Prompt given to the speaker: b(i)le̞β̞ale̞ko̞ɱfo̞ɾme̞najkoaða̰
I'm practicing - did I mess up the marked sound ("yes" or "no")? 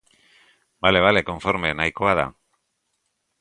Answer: yes